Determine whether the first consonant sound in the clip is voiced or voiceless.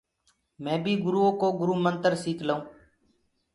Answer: voiced